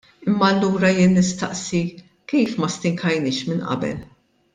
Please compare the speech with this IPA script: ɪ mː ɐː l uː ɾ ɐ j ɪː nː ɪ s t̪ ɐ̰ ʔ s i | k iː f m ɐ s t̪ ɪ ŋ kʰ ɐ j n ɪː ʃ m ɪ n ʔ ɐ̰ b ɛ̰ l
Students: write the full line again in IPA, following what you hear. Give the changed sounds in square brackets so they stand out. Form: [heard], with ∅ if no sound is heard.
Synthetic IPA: ɪ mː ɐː [lː] uː ɾ ɐ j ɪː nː ɪ s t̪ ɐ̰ ʔ s i | k iː f m ɐ s t̪ ɪ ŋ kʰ ɐ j n ɪː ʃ m ɪ n ʔ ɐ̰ b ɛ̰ l